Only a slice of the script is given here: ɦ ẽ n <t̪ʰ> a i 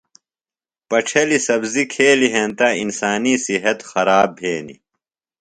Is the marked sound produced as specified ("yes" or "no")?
no